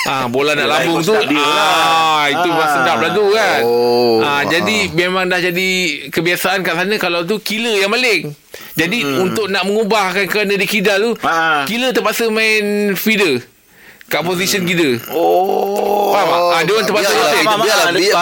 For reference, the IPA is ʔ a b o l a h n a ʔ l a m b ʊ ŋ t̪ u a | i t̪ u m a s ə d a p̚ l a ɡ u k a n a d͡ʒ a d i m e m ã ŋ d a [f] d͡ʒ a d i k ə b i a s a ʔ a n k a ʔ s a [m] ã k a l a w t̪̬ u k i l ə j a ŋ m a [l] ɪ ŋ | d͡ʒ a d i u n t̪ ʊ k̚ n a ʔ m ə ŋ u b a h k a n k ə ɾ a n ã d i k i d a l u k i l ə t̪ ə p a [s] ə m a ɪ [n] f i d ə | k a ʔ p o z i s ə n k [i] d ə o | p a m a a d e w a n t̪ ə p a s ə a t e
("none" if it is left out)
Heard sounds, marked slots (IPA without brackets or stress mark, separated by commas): h, n, l, s, n, i